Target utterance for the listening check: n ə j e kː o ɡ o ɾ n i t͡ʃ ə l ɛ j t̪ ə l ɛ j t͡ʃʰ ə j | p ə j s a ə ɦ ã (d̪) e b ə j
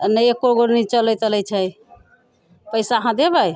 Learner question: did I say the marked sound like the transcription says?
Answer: yes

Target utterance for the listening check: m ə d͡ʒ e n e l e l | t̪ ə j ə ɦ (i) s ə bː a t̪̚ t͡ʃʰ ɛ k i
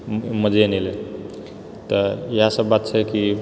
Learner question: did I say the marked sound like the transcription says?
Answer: no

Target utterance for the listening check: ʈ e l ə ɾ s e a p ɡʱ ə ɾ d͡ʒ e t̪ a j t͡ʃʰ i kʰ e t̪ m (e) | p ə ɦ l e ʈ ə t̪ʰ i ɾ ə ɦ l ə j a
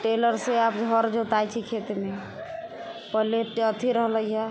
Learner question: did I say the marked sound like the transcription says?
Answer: yes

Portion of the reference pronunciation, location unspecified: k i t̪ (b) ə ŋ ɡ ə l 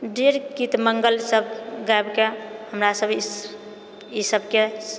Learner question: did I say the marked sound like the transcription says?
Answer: no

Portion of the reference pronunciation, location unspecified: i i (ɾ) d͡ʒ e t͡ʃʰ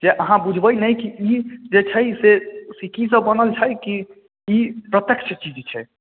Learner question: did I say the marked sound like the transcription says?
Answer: no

